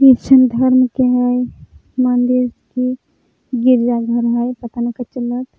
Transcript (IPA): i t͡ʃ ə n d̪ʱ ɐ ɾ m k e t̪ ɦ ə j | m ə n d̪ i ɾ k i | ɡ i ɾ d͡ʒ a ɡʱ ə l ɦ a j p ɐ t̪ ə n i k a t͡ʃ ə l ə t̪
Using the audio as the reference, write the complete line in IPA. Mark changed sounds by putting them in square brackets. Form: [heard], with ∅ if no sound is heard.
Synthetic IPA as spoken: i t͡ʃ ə n d̪ʱ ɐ ɾ m k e [∅] ɦ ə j | m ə n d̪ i ɾ k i | ɡ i ɾ d͡ʒ a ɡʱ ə [ɾ] ɦ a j p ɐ t̪ [a] n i k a t͡ʃ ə l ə t̪